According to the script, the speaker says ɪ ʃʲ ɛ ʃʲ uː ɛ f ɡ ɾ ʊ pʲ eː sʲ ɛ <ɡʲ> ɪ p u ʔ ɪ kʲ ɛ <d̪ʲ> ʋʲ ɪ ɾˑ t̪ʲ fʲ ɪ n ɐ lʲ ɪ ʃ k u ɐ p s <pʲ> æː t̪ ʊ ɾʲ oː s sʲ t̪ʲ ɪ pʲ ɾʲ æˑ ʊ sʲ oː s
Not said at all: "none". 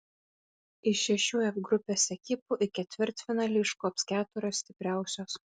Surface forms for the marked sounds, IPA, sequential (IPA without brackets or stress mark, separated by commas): kʲ, t̪ʲ, kʲ